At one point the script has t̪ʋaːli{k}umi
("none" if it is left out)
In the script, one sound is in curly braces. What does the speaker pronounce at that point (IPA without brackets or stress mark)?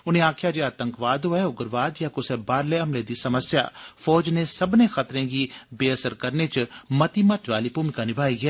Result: p